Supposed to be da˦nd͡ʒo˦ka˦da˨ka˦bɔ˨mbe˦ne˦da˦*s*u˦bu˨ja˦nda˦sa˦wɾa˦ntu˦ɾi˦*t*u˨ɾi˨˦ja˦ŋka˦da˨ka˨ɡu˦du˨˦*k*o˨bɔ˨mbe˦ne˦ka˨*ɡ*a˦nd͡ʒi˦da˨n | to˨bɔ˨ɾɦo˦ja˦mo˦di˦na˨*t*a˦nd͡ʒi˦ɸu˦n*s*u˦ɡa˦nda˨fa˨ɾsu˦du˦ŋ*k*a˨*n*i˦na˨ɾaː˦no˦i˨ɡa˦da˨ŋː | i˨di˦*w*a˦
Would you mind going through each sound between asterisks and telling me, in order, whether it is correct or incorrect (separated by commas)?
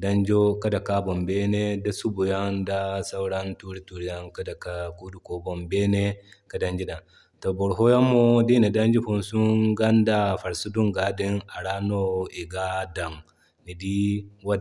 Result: correct, correct, correct, incorrect, incorrect, correct, incorrect, incorrect, correct